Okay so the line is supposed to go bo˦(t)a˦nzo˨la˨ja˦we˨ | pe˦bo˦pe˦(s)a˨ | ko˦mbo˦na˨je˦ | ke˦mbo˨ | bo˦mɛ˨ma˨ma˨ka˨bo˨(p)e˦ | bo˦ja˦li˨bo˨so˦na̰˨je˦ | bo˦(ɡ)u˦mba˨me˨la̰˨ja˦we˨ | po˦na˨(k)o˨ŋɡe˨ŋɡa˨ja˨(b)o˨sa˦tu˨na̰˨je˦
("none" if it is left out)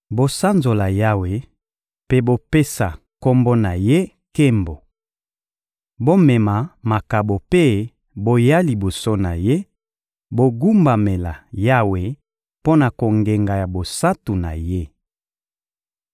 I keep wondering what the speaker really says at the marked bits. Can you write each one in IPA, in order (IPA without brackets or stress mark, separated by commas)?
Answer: s, s, p, ɡ, k, b